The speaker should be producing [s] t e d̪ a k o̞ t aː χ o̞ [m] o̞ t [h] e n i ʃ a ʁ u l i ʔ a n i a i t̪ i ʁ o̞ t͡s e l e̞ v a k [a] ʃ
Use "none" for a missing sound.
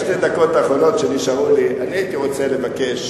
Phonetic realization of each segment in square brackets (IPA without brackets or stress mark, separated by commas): ʃ, n, ʃ, e